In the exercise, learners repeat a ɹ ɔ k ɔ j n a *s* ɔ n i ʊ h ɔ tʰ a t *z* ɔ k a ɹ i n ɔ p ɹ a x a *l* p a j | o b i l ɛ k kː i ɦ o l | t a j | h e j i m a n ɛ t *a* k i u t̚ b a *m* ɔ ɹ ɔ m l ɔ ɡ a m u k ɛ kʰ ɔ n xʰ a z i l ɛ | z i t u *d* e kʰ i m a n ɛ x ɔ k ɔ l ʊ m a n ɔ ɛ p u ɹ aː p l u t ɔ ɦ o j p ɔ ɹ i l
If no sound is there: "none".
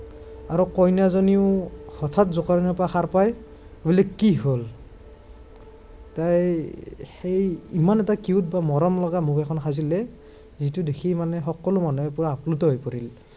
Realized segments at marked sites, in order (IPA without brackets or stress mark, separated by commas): z, z, ɹ, a, m, d